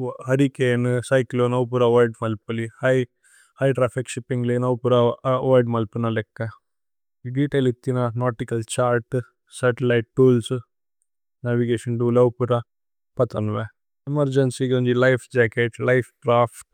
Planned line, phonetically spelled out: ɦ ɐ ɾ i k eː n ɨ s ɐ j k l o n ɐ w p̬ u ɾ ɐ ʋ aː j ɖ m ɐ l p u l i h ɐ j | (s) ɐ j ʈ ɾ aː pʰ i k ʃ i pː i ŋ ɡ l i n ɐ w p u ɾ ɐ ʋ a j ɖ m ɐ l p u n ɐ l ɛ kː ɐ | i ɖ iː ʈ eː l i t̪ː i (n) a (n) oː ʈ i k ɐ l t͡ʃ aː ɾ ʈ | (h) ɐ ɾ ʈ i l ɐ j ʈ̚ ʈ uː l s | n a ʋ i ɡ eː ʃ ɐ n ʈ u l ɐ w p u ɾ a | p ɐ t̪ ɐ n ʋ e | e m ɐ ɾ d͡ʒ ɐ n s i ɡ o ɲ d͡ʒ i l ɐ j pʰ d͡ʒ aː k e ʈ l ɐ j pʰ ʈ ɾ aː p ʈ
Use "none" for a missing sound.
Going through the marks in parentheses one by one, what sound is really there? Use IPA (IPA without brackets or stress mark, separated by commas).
h, n, n, s